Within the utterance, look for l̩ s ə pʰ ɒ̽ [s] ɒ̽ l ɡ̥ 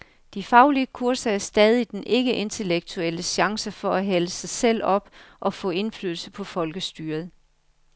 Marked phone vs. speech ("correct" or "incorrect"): incorrect